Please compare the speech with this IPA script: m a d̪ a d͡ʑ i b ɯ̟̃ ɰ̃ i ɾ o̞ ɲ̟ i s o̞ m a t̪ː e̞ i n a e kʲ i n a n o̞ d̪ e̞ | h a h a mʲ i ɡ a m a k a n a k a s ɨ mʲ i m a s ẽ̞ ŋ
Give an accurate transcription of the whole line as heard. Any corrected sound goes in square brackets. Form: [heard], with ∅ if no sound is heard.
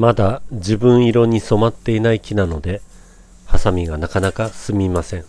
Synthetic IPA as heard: m a d̪ a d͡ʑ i b ɯ̟̃ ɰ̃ i ɾ o̞ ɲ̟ i s o̞ m a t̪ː e̞ i n a [i] kʲ i n a n o̞ d̪ e̞ | h a [s] a mʲ i ɡ a [n] a k a n a k a s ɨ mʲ i m a s ẽ̞ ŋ